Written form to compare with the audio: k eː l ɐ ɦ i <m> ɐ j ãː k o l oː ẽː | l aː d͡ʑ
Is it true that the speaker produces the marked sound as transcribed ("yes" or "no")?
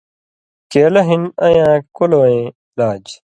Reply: no